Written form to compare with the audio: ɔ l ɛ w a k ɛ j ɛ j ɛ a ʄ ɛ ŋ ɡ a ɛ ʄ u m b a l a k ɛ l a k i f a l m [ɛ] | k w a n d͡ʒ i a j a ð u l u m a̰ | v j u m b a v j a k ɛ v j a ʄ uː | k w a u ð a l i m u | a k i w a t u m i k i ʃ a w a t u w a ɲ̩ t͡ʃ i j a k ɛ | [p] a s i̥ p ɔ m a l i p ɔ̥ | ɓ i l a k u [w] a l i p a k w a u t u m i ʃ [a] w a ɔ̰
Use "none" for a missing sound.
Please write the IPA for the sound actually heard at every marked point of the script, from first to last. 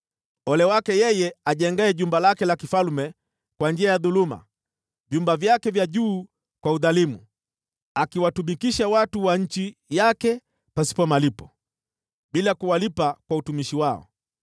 ɛ, p, w, i

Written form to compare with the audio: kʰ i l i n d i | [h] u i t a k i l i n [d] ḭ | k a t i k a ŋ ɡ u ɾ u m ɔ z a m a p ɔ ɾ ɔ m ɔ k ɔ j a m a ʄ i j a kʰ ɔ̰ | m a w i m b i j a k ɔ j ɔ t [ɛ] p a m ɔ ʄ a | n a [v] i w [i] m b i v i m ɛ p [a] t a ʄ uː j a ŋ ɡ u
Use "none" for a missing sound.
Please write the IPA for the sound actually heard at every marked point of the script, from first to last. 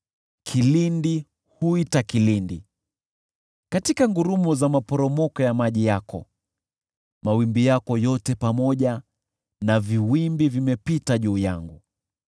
h, d, ɛ, v, i, i

